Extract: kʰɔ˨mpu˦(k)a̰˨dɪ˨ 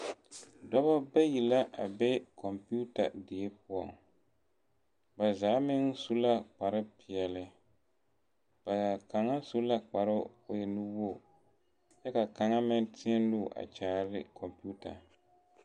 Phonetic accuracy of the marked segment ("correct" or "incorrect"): incorrect